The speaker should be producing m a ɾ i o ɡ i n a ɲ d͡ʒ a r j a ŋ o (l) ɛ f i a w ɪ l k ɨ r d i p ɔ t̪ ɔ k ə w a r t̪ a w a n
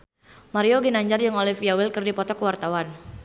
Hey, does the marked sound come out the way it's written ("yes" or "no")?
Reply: yes